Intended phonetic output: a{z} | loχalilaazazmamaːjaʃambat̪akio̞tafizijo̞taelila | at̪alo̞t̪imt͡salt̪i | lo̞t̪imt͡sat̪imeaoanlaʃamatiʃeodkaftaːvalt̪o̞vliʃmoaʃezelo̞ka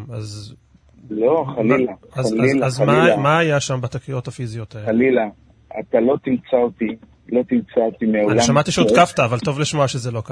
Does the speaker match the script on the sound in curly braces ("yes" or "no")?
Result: yes